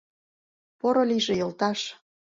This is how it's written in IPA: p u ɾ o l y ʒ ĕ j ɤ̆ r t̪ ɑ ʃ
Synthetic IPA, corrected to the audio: p o ɾ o l i ʒ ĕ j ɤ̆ l t̪ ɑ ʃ